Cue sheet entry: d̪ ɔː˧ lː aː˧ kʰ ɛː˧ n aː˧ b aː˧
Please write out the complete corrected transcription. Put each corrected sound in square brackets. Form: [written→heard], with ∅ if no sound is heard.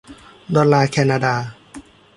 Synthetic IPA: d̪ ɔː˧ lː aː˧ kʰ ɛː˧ n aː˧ [b→d] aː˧